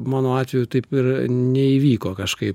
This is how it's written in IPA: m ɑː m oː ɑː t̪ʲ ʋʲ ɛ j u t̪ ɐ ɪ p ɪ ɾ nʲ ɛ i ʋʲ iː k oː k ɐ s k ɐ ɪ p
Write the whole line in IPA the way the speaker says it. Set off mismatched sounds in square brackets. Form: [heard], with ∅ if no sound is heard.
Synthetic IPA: m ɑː [n] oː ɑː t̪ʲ ʋʲ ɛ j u t̪ ɐ ɪ p ɪ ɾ nʲ ɛ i ʋʲ iː k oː k ɐ [ʃ] k ɐ ɪ p